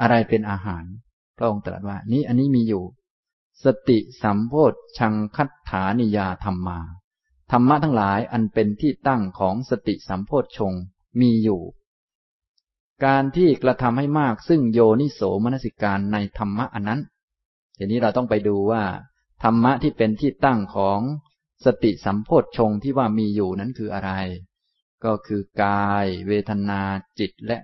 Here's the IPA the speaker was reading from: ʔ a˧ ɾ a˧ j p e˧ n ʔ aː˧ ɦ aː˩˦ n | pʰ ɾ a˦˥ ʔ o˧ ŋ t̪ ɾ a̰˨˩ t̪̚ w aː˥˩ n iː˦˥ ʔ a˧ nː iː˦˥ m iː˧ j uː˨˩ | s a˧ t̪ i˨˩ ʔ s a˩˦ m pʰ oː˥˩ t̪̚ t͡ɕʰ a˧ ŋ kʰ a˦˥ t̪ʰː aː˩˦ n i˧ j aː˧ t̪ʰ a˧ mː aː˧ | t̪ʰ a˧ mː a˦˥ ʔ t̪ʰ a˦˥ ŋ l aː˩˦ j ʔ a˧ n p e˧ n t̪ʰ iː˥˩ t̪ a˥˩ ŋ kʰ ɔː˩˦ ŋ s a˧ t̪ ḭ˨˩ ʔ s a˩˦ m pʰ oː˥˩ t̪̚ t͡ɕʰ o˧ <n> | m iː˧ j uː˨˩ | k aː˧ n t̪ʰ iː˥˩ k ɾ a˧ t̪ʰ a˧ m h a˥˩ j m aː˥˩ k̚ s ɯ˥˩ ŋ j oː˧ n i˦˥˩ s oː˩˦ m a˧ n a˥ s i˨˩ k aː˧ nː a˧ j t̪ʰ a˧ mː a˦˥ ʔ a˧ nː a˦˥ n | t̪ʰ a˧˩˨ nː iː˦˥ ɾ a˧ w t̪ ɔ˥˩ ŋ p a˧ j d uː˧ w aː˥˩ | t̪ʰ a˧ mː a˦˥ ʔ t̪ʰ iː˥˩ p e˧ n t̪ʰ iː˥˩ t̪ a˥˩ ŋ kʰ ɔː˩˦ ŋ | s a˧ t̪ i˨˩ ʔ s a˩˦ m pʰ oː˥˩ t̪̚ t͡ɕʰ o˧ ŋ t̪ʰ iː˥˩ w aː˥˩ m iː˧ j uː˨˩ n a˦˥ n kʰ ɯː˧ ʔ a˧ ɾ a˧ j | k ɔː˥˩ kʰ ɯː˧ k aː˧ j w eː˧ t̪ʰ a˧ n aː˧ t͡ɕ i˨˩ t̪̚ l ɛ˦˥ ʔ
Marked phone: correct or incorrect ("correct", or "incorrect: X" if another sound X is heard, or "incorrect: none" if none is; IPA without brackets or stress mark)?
incorrect: ŋ